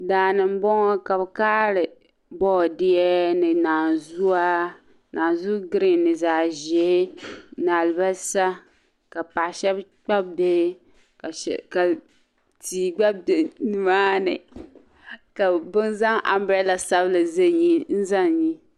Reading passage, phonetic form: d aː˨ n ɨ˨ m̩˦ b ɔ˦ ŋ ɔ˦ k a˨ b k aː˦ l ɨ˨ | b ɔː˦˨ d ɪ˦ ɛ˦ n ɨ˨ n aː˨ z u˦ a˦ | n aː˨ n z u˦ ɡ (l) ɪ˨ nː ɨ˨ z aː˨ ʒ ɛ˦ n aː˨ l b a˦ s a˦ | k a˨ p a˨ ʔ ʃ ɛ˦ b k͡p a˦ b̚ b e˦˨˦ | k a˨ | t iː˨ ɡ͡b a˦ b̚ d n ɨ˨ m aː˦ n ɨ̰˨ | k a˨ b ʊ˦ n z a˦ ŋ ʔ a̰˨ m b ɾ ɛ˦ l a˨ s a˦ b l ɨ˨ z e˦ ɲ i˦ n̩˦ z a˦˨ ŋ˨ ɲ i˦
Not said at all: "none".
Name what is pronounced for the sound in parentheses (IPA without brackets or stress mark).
ɾ